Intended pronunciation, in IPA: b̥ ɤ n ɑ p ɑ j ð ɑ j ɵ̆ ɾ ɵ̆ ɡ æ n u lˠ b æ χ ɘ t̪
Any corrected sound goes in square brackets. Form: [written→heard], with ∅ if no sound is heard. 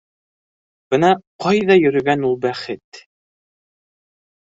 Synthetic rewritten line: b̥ ɤ n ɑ [p→q] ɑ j ð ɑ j ɵ̆ ɾ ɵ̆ ɡ æ n u lˠ b æ χ ɘ t̪